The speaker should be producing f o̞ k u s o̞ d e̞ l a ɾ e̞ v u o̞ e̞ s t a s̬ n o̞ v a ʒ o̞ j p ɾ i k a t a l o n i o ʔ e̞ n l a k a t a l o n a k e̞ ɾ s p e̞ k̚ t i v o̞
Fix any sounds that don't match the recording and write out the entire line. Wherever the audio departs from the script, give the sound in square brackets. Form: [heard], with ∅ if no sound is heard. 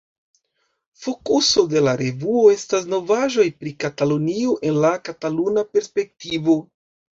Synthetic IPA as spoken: f o̞ k u s o̞ d e̞ l a ɾ e̞ v u o̞ e̞ s t a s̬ n o̞ v a ʒ o̞ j p ɾ i k a t a l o n i o ʔ e̞ n l a k a t a l [u] n a [p] e̞ ɾ s p e̞ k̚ t i v o̞